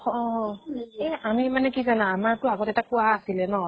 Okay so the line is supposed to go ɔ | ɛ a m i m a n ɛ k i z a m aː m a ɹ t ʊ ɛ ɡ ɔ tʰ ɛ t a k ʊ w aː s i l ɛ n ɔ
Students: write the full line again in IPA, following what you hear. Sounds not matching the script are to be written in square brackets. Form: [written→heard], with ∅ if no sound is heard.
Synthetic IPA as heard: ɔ | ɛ a m i m a n ɛ k i z a [m→n] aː m a ɹ t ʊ [ɛ→a] ɡ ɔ [tʰ→t] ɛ t a k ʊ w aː s i l ɛ n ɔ